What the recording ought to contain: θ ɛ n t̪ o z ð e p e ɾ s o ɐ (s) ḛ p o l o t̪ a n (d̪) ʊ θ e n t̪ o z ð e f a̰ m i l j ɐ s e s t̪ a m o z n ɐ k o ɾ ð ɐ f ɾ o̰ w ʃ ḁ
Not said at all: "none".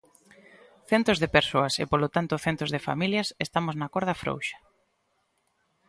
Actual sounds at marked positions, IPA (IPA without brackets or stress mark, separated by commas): s, t̪